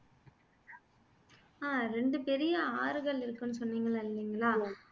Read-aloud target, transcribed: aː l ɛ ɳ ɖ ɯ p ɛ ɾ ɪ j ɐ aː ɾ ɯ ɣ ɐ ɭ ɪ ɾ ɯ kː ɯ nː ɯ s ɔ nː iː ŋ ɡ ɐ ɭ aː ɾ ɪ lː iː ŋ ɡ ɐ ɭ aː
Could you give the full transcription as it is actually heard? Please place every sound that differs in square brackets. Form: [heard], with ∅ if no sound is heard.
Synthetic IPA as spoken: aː [ɾ] ɛ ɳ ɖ ɯ p ɛ ɾ ɪ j ɐ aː ɾ ɯ ɣ ɐ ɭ ɪ ɾ ɯ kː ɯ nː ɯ s ɔ nː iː ŋ ɡ ɐ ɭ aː [∅] ɪ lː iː ŋ ɡ ɐ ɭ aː